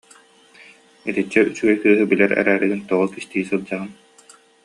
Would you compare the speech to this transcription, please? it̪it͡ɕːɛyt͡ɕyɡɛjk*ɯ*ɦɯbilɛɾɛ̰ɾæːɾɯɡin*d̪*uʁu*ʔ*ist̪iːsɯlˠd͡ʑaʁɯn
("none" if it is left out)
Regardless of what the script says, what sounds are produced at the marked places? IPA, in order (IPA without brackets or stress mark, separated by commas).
ɯː, t̪, k